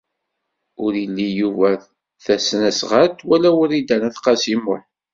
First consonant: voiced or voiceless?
voiced